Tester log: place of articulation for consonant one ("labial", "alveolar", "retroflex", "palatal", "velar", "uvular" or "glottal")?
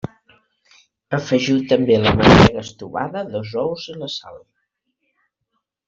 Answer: labial